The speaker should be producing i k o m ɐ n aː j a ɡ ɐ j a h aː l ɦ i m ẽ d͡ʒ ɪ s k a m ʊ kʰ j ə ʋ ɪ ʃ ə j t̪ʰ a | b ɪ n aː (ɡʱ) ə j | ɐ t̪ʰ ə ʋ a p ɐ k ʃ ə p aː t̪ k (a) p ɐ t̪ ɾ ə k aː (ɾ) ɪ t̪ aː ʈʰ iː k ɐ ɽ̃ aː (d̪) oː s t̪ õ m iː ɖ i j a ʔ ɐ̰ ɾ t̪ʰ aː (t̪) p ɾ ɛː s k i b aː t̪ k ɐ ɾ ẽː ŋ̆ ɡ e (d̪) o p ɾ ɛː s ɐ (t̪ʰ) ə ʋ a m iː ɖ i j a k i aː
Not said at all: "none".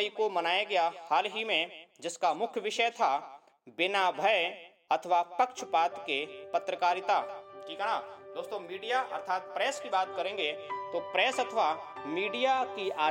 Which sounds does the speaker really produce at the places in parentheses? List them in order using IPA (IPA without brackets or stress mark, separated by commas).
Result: bʱ, e, ɾ, d̪, t̪, t̪, t̪ʰ